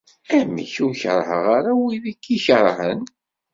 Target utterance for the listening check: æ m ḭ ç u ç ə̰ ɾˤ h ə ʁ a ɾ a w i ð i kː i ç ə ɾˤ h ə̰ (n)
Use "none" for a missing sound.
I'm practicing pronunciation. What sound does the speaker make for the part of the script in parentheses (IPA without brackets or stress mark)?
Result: n